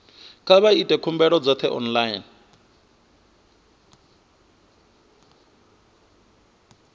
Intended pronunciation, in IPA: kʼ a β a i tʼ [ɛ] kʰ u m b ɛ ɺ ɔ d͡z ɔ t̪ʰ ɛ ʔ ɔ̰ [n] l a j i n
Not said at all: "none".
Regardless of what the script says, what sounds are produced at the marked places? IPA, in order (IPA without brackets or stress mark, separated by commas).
ɛ, n